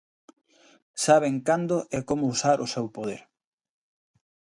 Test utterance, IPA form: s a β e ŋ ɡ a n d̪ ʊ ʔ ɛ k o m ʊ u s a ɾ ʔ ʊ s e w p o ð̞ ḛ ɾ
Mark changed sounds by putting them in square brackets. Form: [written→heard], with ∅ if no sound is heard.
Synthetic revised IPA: s a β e ŋ [ɡ→k] a n d̪ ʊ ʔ ɛ k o m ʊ u s a ɾ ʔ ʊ s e w p o ð̞ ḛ ɾ